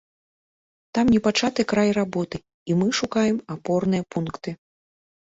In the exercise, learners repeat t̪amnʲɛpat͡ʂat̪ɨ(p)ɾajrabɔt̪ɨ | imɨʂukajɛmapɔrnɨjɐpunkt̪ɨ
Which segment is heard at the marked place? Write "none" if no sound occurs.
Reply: k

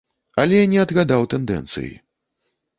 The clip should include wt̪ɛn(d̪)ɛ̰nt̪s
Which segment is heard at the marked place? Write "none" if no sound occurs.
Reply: d̪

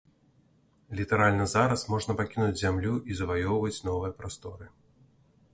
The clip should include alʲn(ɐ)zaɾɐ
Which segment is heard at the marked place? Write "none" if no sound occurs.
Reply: ɐ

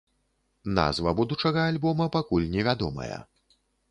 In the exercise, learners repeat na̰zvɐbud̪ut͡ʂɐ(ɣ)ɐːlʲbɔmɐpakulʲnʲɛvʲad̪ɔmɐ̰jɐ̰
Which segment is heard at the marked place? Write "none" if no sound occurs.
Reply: ɣ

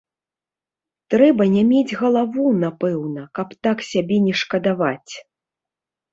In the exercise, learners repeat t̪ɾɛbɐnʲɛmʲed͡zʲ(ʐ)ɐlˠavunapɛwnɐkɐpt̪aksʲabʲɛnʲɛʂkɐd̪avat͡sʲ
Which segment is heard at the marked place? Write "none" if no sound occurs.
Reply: ɣ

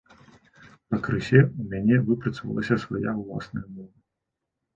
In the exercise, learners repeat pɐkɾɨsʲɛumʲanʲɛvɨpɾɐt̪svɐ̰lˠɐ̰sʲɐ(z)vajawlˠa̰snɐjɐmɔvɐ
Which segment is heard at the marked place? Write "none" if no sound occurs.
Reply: s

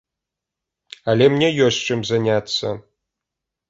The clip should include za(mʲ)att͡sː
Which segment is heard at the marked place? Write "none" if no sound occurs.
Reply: nʲ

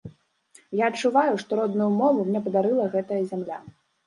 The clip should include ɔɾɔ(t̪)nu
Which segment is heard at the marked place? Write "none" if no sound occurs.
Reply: d̪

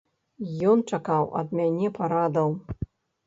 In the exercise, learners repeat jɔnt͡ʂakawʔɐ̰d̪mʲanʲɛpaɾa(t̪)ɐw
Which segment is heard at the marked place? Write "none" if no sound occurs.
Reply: d̪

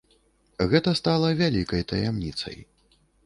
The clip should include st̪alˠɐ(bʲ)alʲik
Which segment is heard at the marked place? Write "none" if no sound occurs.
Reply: vʲ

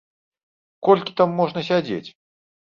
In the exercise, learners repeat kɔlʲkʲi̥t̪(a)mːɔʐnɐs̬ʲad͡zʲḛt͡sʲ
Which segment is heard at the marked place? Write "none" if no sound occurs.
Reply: a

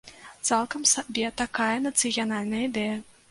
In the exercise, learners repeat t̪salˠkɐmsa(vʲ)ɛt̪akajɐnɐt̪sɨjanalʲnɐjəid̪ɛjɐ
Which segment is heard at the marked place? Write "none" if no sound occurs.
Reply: bʲ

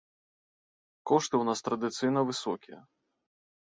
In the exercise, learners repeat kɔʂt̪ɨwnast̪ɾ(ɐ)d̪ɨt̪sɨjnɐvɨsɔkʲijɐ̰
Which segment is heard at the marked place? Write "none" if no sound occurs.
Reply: ɐ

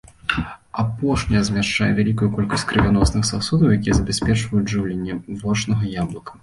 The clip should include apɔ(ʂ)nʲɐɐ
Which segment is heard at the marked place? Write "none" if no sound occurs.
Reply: ʂ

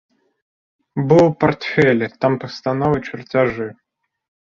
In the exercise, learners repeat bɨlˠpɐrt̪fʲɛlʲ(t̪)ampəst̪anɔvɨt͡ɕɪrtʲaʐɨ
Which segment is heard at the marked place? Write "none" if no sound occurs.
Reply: t̪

